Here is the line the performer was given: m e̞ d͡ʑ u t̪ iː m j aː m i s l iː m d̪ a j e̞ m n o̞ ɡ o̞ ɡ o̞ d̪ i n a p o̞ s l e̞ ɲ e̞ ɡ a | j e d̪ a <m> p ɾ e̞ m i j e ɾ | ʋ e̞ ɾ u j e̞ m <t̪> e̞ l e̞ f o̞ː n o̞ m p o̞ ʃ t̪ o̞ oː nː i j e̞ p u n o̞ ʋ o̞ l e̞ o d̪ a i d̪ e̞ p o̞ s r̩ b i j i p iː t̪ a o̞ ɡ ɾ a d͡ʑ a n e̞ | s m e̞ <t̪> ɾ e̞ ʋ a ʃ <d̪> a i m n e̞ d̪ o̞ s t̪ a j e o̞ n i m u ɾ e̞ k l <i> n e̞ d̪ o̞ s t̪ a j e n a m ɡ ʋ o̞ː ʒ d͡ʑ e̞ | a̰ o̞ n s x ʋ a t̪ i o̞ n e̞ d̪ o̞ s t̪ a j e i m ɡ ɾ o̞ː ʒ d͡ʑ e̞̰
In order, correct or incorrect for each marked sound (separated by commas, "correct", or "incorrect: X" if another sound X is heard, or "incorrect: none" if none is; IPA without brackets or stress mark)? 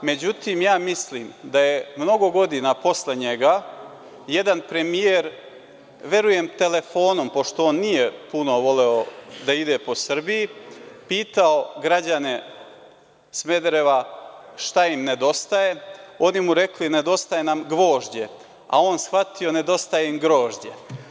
incorrect: n, correct, incorrect: d̪, incorrect: t̪, correct